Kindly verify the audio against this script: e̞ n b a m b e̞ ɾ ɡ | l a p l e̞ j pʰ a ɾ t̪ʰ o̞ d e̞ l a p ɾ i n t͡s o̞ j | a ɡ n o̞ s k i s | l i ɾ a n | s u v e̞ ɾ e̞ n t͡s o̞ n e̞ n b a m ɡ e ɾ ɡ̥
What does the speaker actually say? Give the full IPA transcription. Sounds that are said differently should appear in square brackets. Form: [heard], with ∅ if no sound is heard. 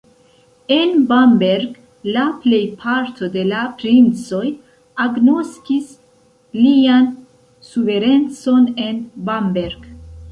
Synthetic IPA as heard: e̞ n b a m b e̞ ɾ ɡ | l a p l e̞ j pʰ a ɾ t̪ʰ o̞ d e̞ l a p ɾ i n t͡s o̞ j | a ɡ n o̞ s k i s | l i [∅] a n | s u v e̞ ɾ e̞ n t͡s o̞ n e̞ n b a m [b] e ɾ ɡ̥